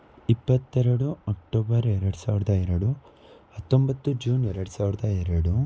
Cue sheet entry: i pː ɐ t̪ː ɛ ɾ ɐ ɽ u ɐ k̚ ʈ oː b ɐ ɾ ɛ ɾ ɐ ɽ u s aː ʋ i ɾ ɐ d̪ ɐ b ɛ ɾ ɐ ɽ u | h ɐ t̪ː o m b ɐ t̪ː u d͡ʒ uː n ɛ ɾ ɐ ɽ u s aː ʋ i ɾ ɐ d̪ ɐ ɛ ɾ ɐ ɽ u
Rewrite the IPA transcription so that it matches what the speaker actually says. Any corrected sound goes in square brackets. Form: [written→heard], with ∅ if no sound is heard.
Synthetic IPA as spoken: i pː ɐ t̪ː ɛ ɾ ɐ ɽ u ɐ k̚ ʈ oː b ɐ ɾ ɛ ɾ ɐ ɽ u s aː ʋ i ɾ ɐ d̪ ɐ [b→∅] ɛ ɾ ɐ ɽ u | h ɐ t̪ː o m b ɐ t̪ː u d͡ʒ uː n ɛ ɾ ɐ ɽ u s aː ʋ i ɾ ɐ d̪ ɐ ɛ ɾ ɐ ɽ u